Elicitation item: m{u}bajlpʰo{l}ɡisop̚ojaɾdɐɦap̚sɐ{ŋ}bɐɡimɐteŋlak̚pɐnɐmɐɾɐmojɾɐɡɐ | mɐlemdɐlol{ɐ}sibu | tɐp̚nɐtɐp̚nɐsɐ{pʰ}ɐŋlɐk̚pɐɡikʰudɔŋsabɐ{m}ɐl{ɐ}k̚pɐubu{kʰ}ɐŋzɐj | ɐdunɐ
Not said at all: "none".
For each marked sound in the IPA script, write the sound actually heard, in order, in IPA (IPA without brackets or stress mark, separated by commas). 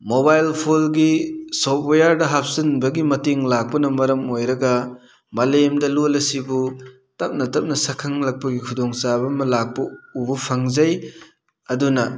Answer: o, l, n, ɐ, kʰ, m, a, pʰ